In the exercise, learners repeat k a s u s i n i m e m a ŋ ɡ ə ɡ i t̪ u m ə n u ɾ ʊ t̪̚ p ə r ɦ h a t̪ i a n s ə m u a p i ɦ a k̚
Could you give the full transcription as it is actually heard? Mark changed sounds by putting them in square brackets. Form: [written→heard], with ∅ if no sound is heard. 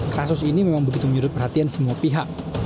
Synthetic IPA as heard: k a s [u→ʊ] s i n i m e m a ŋ [ɡ→b] ə ɡ i t̪ u m ə [n→ɲ] u ɾ ʊ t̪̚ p ə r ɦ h a t̪ i a n s ə m u a p i ɦ a k̚